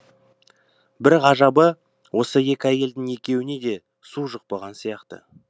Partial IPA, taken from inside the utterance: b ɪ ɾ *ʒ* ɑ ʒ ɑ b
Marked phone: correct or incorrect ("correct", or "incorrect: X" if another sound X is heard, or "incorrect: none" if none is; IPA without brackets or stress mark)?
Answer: incorrect: ʁ